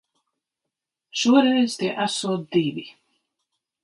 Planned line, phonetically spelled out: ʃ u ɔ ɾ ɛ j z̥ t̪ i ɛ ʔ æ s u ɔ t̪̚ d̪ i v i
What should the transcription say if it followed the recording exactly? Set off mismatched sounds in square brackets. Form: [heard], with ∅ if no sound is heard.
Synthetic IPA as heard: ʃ u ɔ ɾ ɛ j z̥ t̪ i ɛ ʔ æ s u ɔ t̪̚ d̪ i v i